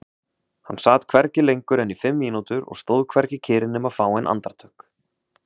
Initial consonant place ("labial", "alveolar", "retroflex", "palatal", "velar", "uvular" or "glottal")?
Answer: glottal